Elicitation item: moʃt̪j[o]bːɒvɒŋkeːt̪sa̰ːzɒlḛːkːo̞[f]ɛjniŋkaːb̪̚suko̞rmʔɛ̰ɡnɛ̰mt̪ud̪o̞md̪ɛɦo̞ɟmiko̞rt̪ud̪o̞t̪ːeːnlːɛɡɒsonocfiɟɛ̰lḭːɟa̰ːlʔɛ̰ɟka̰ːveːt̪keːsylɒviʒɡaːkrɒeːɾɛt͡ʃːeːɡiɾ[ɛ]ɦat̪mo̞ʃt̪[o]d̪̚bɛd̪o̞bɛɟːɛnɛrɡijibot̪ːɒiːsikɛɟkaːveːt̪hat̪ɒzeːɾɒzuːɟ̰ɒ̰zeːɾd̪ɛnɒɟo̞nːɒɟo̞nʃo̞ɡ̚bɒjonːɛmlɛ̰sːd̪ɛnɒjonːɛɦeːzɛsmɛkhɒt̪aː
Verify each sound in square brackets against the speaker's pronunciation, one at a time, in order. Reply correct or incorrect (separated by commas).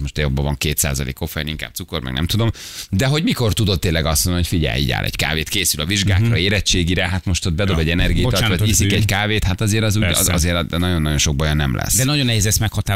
correct, correct, correct, correct